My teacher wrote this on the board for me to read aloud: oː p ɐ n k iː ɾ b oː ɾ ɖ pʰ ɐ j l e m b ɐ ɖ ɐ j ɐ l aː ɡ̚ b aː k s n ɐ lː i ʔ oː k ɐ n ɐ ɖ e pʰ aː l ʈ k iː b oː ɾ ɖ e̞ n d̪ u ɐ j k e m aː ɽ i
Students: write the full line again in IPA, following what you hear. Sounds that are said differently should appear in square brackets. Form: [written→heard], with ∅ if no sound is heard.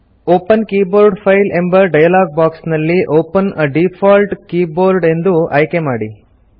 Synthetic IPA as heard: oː p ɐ n k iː [ɾ→∅] b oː ɾ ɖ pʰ ɐ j l e m b ɐ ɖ ɐ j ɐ l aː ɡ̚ b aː k s n ɐ lː i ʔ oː [k→p] ɐ n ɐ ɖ [e→i] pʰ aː l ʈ k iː b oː ɾ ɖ e̞ n d̪ u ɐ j k e m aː ɽ i

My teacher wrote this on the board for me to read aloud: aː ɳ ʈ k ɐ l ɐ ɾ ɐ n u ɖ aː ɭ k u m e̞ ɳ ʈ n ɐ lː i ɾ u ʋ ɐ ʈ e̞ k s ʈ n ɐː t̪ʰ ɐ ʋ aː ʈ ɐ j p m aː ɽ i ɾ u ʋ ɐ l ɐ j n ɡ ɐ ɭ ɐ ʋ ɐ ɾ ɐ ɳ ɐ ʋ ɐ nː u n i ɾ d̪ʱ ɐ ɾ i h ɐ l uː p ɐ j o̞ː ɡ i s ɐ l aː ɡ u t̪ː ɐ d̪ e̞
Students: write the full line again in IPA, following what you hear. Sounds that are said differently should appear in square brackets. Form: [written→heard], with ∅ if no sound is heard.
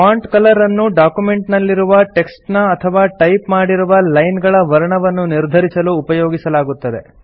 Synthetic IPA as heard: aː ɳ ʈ k ɐ l ɐ ɾ ɐ [n→nː] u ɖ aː [ɭ→∅] k u m e̞ ɳ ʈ n ɐ lː i ɾ u ʋ ɐ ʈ e̞ k s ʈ n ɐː t̪ʰ ɐ ʋ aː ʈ ɐ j p m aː ɽ i ɾ u ʋ ɐ l ɐ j n ɡ ɐ ɭ ɐ ʋ ɐ ɾ ɐ ɳ ɐ ʋ ɐ nː u n i ɾ d̪ʱ ɐ ɾ i [h→s] ɐ l uː p ɐ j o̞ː ɡ i s ɐ l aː ɡ u t̪ː ɐ d̪ e̞

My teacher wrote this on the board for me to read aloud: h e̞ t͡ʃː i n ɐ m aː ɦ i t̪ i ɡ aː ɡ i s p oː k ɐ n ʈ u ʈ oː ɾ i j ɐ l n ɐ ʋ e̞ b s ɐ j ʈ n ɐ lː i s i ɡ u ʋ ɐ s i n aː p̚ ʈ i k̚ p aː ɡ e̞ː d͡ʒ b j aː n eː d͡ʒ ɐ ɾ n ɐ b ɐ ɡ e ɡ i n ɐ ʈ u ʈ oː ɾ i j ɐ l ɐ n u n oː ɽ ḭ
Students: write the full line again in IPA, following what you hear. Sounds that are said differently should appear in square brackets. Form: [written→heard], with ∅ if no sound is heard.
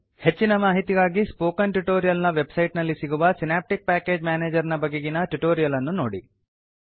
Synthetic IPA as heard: h e̞ t͡ʃː i n ɐ m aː ɦ i t̪ i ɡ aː ɡ i s p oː k ɐ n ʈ u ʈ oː ɾ i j ɐ l n ɐ ʋ e̞ b s ɐ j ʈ n ɐ lː i s i ɡ u ʋ ɐ s i n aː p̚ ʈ i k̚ p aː [ɡ→k] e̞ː d͡ʒ [b→m] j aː n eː d͡ʒ ɐ ɾ n ɐ b ɐ ɡ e ɡ i n ɐ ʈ u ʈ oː ɾ i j ɐ l ɐ [n→nː] u n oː ɽ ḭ

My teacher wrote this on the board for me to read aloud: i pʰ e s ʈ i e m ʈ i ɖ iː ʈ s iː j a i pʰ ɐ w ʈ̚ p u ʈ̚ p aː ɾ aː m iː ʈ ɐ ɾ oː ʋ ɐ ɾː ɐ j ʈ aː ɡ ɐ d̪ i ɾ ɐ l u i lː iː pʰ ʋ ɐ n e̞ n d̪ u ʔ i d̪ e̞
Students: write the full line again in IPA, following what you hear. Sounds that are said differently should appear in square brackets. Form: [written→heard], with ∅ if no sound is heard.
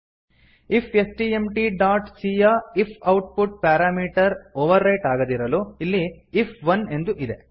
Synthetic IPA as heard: i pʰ e s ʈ i e m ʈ i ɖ [iː→aː] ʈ s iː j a i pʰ ɐ w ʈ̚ p u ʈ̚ p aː ɾ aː m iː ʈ ɐ ɾ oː ʋ ɐ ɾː ɐ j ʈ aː ɡ ɐ d̪ i ɾ ɐ l u i lː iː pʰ ʋ ɐ n e̞ n d̪ u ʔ i d̪ e̞

